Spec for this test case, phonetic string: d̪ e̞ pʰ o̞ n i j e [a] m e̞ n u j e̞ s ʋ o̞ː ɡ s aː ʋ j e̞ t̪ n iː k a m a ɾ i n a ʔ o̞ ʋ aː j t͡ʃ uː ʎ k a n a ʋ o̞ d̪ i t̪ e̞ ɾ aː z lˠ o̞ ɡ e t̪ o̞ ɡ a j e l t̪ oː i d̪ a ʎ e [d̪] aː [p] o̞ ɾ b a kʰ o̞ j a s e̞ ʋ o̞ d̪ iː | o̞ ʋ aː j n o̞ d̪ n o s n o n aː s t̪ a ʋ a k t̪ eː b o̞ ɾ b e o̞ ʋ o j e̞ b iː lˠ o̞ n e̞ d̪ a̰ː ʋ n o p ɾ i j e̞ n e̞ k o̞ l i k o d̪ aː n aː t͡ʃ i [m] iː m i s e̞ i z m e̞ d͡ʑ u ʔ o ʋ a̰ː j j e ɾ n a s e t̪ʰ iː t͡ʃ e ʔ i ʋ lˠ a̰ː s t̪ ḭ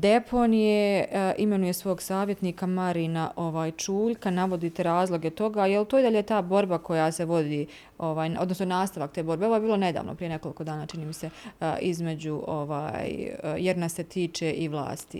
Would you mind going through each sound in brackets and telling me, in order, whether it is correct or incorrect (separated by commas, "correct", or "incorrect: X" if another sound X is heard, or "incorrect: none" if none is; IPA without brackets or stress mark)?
incorrect: i, incorrect: t̪, incorrect: b, incorrect: n